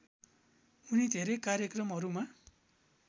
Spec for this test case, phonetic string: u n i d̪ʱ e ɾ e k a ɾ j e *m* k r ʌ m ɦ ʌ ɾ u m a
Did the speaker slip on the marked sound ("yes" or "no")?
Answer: yes